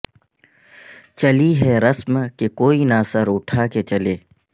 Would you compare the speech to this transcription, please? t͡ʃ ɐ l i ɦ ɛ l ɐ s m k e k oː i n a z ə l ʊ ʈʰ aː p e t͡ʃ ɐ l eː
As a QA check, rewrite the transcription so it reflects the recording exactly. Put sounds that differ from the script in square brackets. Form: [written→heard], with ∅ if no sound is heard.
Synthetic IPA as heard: t͡ʃ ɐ l i ɦ ɛ [l→ɾ] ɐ s m k e k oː i n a [z→s] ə [l→ɾ] ʊ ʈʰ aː [p→k] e t͡ʃ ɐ l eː